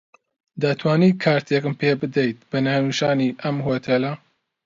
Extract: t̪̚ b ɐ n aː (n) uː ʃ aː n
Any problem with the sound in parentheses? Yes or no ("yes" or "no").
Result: no